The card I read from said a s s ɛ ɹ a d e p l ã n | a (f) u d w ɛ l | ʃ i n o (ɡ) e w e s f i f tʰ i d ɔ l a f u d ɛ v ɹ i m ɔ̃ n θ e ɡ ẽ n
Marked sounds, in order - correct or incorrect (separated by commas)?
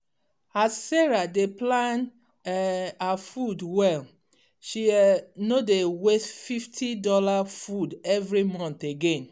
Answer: correct, incorrect